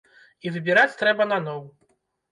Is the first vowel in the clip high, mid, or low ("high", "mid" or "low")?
high